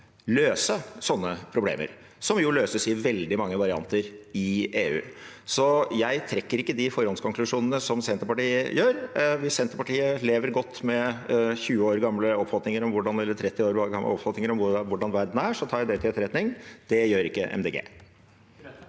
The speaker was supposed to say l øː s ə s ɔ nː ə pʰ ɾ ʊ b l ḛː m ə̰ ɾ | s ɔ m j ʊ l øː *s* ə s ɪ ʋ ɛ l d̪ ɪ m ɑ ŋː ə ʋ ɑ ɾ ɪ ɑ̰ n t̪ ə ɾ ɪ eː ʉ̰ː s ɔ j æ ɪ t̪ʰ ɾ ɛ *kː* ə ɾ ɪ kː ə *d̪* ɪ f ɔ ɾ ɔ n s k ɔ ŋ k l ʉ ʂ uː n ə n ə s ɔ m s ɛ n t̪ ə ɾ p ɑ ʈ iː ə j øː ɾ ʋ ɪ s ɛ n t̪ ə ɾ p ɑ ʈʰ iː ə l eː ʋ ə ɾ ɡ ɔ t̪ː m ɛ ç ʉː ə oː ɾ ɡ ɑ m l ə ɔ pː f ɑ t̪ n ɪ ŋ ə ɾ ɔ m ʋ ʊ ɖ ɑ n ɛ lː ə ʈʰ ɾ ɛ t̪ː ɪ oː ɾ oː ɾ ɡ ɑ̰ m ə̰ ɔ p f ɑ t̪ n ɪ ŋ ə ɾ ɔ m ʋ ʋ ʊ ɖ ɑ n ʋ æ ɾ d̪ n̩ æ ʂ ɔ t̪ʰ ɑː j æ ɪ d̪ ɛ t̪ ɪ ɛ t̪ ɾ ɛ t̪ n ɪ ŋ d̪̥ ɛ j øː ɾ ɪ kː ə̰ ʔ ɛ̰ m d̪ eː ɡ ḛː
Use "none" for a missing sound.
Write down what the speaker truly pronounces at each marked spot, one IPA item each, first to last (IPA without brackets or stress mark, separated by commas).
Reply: s, kː, d̪